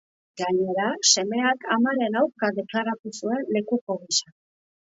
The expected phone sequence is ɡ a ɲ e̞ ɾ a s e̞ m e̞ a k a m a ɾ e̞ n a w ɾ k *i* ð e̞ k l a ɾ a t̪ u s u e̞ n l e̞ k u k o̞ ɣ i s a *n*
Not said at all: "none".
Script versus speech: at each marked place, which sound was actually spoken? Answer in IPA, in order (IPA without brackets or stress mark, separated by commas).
a, none